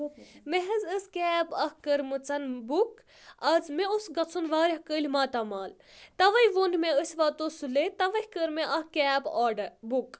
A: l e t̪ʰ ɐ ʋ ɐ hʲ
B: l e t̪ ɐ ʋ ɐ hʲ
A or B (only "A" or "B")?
B